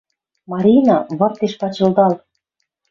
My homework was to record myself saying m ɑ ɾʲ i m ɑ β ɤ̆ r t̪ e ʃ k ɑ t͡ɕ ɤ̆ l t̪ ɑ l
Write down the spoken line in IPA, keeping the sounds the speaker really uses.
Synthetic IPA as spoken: m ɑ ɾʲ i n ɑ β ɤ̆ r t̪ e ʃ p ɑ t͡ɕ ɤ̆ l d̪ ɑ l

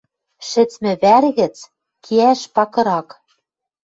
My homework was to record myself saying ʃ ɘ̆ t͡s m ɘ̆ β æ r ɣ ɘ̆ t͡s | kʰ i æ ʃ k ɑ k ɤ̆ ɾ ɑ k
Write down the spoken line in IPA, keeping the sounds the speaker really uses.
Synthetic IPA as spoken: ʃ ɘ̆ t͡s m ɘ̆ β æ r ɣ ɘ̆ t͡s | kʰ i æ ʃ p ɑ k ɤ̆ ɾ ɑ k

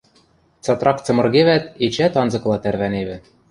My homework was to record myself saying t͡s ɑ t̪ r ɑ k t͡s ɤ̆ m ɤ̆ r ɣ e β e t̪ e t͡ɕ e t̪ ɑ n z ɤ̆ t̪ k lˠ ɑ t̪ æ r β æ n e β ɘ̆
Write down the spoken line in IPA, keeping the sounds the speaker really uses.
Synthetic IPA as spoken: t͡s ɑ t̪ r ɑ k t͡s ɤ̆ m ɤ̆ r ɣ e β æ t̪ e t͡ɕ æ t̪ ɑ n z ɤ̆ k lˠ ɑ t̪ æ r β æ n e β ɘ̆

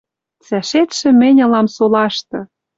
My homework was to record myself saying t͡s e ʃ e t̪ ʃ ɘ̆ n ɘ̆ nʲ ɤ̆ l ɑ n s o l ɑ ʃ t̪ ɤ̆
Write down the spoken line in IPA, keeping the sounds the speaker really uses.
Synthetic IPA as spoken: t͡s æ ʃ e t̪ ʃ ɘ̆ m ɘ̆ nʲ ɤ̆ l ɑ m s o l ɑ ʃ t̪ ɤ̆

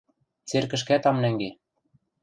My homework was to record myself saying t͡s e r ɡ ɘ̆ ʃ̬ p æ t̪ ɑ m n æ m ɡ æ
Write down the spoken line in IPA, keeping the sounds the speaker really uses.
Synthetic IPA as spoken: t͡s e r k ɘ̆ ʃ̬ k æ t̪ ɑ m n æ ŋ ɡ e

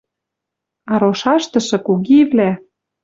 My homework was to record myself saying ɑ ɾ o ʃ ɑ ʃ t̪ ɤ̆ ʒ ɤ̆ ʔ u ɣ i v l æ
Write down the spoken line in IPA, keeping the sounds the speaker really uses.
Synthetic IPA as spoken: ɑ ɾ o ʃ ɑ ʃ t̪ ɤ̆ ʃ ɤ̆ k u ɣ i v l æ

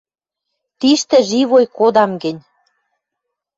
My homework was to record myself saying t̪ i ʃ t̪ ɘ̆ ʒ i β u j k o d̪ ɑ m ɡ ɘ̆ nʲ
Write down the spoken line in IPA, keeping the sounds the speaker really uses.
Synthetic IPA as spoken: t̪ i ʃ t̪ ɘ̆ ʒ i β o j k o d̪ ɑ m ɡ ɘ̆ nʲ

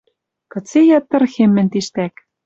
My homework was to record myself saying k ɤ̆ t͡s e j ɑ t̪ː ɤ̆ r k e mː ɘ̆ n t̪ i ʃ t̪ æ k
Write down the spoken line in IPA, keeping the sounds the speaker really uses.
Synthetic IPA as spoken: k ɤ̆ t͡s e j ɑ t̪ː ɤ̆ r x e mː ɘ̆ n t̪ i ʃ t̪ æ k

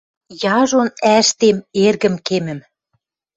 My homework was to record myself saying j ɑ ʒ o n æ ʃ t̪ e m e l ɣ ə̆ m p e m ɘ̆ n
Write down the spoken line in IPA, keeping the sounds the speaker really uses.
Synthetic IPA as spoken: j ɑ ʒ o n æ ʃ t̪ e m e r ɣ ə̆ m k e m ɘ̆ m

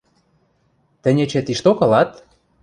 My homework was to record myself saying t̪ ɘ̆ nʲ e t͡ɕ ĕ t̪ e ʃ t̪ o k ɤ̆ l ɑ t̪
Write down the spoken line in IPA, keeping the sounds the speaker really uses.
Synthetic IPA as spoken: t̪ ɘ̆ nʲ e t͡ɕ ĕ t̪ i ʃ t̪ o k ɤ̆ l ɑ t̪

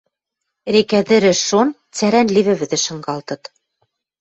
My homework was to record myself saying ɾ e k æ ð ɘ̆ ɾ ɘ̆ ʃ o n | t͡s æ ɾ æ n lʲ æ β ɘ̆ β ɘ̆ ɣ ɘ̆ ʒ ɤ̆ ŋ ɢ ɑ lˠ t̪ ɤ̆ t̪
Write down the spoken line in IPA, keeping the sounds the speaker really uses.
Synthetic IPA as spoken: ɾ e k æ ð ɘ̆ ɾ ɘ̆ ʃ o n | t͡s æ ɾ æ n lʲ i β ɘ̆ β ɘ̆ ð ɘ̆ ʃ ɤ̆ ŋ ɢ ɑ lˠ t̪ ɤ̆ t̪

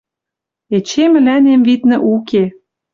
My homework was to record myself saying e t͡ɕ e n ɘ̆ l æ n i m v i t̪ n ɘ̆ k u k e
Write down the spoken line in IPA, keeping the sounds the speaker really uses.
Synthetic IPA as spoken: e t͡ɕ e m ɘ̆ l æ n e m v i t̪ n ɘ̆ ʔ u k e

